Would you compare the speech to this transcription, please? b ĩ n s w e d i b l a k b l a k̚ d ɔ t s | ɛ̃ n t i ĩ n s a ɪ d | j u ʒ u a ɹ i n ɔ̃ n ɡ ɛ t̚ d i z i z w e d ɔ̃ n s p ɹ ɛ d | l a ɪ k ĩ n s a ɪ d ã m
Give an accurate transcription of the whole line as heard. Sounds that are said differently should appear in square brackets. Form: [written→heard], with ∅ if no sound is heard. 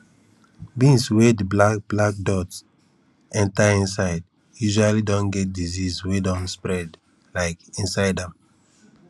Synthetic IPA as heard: b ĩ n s w e d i b l a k b l a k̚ d ɔ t s | ɛ̃ n t [i→a] ĩ n s a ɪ d | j u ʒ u a [ɹ→l] i [n→d] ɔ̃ n ɡ ɛ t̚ d i z i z w e d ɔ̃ n s p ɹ ɛ d | l a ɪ k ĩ n s a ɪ d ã m